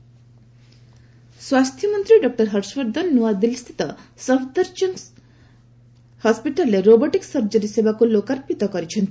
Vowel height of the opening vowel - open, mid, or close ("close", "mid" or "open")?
open